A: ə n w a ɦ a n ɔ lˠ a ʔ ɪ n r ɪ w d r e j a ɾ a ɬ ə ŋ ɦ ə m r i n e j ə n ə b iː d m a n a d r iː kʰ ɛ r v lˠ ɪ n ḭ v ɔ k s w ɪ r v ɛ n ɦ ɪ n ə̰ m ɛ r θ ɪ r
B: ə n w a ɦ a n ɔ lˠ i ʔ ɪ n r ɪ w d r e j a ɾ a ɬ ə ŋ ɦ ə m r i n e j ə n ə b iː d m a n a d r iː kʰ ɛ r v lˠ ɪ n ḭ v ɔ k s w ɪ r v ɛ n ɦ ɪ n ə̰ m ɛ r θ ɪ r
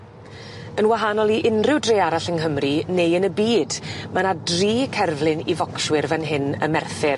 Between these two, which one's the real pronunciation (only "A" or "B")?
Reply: B